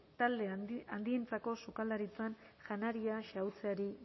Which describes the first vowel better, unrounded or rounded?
unrounded